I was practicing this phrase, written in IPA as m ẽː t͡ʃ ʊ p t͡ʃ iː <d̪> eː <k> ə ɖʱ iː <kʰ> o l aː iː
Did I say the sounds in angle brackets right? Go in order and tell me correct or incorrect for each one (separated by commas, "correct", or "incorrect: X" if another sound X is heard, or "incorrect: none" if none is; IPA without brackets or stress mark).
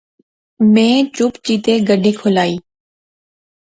incorrect: t̪, incorrect: ɡ, correct